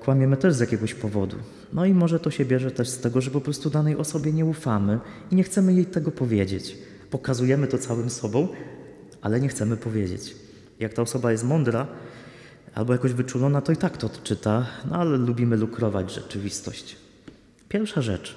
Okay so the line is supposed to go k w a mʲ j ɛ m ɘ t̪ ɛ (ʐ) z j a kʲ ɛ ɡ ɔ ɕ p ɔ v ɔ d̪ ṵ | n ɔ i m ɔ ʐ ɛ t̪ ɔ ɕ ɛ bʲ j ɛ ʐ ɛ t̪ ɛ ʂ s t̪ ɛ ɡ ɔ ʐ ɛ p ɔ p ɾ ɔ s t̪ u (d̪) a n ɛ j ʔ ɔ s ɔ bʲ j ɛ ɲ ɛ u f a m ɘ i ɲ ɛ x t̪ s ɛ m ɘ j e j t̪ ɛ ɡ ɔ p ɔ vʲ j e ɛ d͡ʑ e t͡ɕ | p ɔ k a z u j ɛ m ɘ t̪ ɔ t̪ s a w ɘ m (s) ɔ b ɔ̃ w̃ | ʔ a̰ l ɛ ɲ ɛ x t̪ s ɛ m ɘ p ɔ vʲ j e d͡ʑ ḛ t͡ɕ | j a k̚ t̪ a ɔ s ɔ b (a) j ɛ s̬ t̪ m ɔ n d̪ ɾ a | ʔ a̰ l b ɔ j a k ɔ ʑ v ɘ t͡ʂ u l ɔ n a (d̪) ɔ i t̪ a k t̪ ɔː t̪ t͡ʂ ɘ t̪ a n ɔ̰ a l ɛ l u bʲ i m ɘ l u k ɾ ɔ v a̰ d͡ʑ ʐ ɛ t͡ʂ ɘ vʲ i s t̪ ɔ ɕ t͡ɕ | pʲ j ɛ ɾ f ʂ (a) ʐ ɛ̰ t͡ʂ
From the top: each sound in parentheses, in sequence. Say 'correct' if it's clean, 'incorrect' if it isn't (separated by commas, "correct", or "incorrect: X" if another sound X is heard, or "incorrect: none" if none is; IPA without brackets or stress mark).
correct, correct, correct, correct, incorrect: t̪, correct